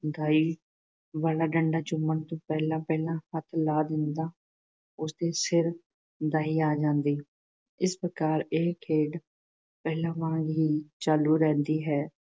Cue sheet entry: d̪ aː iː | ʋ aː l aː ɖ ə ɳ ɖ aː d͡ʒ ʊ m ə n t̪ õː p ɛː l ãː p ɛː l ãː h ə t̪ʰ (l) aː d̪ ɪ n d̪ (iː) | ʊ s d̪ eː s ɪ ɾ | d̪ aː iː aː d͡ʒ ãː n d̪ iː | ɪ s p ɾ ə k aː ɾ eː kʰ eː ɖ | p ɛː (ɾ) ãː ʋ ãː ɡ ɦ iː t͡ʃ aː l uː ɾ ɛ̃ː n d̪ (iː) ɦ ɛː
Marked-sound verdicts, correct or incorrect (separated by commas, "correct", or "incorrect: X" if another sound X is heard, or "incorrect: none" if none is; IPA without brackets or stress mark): correct, incorrect: aː, incorrect: l, correct